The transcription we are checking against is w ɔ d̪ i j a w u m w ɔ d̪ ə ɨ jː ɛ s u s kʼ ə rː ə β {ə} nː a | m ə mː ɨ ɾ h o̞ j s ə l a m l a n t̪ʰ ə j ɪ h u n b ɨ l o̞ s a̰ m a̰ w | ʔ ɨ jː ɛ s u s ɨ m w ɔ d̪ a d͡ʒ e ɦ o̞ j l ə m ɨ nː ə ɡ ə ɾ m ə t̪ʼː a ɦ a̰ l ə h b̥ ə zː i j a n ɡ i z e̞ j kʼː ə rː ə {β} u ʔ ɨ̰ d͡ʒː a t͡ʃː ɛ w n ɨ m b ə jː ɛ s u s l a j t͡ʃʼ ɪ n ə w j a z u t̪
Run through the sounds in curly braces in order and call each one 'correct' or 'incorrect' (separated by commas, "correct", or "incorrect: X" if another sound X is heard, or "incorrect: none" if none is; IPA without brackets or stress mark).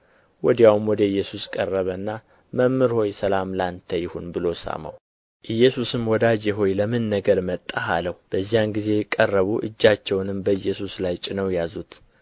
correct, correct